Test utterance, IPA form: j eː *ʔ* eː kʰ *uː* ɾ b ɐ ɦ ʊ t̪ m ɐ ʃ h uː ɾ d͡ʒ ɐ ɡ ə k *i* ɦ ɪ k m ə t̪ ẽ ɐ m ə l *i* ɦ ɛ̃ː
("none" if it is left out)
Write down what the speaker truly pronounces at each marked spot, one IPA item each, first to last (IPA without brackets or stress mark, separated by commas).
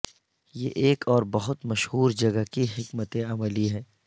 ʔ, ɔː, i, i